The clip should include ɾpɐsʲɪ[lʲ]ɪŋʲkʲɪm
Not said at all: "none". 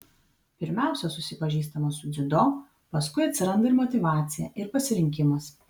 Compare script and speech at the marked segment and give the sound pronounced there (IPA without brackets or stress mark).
ɾʲ